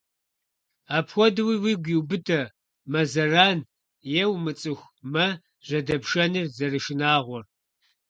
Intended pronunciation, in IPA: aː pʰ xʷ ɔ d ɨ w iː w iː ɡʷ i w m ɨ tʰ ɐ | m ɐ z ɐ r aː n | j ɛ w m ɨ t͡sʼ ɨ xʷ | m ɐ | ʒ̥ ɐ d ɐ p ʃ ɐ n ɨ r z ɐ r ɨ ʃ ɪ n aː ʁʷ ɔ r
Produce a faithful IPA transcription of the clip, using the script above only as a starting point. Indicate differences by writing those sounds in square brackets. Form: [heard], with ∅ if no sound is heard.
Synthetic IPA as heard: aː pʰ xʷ ɔ d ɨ w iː w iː ɡʷ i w [b] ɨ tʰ ɐ | m ɐ z ɐ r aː n | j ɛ w m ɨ t͡sʼ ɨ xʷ | m ɐ | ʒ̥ ɐ d ɐ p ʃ ɐ n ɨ r z ɐ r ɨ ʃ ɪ n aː ʁʷ ɔ r